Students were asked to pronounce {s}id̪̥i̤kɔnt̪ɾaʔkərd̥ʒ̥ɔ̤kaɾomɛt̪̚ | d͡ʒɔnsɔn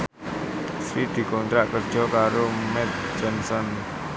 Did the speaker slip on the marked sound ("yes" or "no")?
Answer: no